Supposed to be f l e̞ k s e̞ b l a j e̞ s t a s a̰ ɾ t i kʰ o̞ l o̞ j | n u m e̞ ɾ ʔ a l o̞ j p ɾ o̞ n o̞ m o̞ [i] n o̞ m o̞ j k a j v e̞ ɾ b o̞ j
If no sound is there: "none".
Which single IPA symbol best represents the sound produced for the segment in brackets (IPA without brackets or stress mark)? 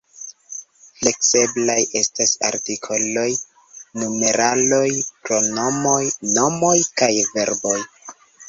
j